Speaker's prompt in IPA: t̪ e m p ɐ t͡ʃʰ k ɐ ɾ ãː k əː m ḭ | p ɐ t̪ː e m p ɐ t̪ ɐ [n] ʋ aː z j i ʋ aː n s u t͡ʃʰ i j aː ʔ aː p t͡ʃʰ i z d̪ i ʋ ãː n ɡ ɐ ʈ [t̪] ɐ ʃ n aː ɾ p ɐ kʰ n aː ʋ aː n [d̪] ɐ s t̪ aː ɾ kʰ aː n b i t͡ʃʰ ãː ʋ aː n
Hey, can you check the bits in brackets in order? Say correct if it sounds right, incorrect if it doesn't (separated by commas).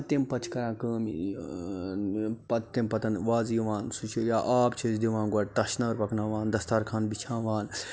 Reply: correct, correct, correct